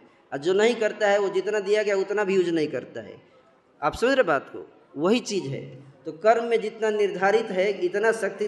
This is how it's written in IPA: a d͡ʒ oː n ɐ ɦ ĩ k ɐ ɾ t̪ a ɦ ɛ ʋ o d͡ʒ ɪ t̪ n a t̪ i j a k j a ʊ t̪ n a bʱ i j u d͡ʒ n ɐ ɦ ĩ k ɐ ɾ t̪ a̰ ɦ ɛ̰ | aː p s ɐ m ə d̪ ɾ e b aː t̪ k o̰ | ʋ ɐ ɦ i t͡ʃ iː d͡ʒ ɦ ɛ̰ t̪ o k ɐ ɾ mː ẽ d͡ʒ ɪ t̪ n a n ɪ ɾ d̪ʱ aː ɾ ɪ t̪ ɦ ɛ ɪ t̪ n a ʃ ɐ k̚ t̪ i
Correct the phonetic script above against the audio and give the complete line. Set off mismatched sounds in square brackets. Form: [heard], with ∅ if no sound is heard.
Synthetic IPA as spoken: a d͡ʒ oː n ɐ ɦ ĩ k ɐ ɾ t̪ a ɦ ɛ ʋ o d͡ʒ ɪ t̪ n a [d̪] i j a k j a ʊ t̪ n a bʱ i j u d͡ʒ n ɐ ɦ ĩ k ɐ ɾ t̪ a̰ ɦ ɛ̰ | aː p s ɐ m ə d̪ ɾ e b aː t̪ k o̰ | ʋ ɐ ɦ i t͡ʃ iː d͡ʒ ɦ ɛ̰ t̪ o k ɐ ɾ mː ẽ d͡ʒ ɪ t̪ n a n ɪ ɾ d̪ʱ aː ɾ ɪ t̪ ɦ ɛ ɪ t̪ n a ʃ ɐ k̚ t̪ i